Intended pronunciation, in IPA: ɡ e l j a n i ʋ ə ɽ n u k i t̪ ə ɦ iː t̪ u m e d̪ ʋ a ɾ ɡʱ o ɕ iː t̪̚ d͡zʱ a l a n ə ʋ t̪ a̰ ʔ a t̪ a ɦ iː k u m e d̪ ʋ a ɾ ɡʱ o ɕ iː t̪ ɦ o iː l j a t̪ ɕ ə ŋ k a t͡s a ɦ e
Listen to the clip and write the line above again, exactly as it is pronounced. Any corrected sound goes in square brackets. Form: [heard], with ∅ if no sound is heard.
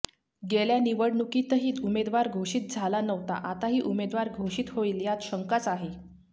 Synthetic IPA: ɡ e l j a n i ʋ ə ɽ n u k i t̪ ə ɦ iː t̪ u m e d̪ ʋ a ɾ ɡʱ o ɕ iː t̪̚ d͡zʱ a l a n ə ʋ t̪ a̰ ʔ a t̪ a ɦ iː [ʔ] u m e d̪ ʋ a ɾ ɡʱ o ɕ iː t̪ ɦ o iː l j a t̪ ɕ ə ŋ k a t͡s a ɦ e